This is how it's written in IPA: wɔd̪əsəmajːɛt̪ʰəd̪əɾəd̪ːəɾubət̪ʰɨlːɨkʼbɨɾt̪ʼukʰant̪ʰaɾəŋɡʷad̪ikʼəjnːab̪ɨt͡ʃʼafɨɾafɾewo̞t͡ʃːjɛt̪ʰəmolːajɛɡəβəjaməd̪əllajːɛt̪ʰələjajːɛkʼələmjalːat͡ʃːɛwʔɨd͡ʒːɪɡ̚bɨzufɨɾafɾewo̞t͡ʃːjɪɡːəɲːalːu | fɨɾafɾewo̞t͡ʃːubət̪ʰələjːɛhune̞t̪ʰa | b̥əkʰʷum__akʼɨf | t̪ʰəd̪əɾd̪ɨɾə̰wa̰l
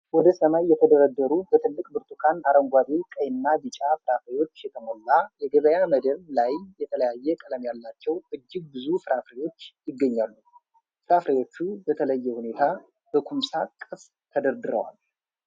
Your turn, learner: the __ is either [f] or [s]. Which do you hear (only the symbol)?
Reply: s